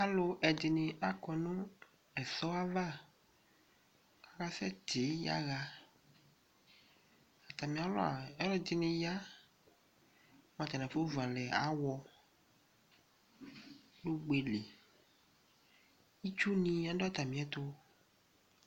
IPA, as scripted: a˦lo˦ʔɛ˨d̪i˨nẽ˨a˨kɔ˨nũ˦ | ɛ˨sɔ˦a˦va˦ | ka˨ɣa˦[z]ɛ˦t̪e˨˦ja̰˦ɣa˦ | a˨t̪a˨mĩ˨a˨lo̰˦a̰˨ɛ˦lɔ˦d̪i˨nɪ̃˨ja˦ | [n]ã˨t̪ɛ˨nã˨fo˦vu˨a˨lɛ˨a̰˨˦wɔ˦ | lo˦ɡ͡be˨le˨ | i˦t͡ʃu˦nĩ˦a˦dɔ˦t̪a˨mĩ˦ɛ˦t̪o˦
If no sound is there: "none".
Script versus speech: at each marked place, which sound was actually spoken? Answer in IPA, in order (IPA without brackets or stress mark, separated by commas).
s, m